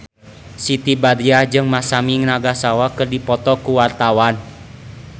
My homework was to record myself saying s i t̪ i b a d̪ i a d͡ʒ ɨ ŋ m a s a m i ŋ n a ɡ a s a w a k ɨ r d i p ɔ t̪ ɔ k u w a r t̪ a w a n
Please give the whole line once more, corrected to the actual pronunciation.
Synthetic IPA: s i t̪ i b a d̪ i a d͡ʒ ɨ ŋ m a s a m i ŋ n a ɡ a s a w a k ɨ r d i p ɔ t̪ ɔ k u w a r t̪ a w a n